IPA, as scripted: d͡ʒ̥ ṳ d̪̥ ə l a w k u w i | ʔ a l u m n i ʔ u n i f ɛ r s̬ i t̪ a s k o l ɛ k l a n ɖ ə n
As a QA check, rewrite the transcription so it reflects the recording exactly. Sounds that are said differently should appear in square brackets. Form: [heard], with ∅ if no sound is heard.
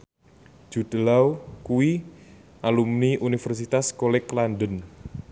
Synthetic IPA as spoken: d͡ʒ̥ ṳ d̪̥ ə l a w k u w i | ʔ a l u m n i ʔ u n i f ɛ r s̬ i t̪ a s k o l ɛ k l a n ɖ ə n